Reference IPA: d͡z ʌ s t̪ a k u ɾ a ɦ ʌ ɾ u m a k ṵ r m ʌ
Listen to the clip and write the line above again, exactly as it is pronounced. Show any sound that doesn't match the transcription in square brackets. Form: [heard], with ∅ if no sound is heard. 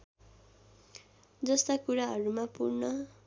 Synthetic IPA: d͡z ʌ s t̪ a k u ɾ a ɦ ʌ ɾ u m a [p] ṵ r [n] ʌ